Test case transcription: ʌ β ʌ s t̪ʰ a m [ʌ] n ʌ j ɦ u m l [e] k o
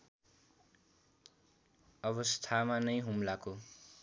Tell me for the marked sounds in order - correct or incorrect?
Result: incorrect: a, incorrect: a

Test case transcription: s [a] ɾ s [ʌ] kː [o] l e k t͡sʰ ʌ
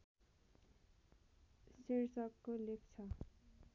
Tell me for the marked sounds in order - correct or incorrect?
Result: incorrect: i, correct, correct

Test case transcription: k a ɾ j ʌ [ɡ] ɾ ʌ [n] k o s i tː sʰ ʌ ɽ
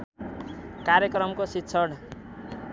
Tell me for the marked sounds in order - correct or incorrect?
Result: incorrect: k, incorrect: m

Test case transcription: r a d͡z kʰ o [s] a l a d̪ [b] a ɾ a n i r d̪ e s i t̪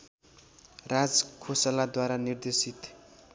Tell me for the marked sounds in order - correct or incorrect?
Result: correct, incorrect: w

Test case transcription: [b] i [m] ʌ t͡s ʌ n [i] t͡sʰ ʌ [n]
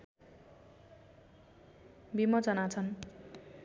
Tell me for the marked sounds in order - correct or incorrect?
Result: correct, correct, incorrect: a, correct

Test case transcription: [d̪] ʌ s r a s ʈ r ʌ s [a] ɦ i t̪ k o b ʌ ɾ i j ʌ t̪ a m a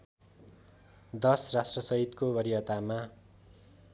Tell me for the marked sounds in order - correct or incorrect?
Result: correct, incorrect: ʌ

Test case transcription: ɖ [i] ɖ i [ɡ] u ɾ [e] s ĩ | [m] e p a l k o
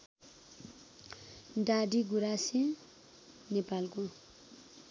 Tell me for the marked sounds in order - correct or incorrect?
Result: incorrect: a, correct, incorrect: a, incorrect: n

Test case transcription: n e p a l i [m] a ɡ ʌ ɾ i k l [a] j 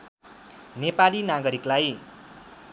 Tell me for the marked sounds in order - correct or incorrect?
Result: incorrect: n, correct

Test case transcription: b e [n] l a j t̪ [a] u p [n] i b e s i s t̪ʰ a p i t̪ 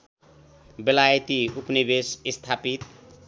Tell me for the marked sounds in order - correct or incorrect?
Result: incorrect: none, incorrect: i, correct

